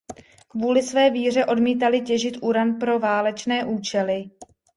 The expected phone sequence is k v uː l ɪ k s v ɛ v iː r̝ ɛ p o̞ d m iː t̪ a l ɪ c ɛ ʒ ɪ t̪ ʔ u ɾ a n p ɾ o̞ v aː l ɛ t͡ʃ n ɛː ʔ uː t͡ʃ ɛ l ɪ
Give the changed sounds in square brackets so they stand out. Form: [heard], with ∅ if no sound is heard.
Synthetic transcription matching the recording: k v uː l ɪ [∅] s v [ɛː] v iː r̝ ɛ [ʔ] o̞ d m iː t̪ a l ɪ c ɛ ʒ ɪ t̪ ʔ u ɾ a n p ɾ o̞ v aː l ɛ t͡ʃ n ɛː ʔ uː t͡ʃ ɛ l ɪ